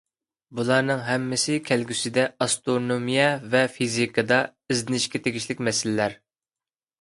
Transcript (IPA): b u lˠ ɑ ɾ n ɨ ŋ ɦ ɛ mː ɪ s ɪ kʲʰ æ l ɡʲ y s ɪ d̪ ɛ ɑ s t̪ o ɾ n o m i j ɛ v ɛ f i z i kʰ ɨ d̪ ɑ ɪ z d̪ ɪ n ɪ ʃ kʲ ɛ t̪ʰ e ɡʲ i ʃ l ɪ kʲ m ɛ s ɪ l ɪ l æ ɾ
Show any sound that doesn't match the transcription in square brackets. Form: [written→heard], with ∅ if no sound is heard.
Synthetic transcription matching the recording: b u lˠ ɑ ɾ n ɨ ŋ ɦ ɛ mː ɪ s ɪ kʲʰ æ l ɡʲ y s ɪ d̪ ɛ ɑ s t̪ o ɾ n o m i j ɛ v ɛ f i z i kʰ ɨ d̪ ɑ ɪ z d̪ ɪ n ɪ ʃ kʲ ɛ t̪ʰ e ɡʲ i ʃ l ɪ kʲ m ɛ s ɪ l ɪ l æ ɾ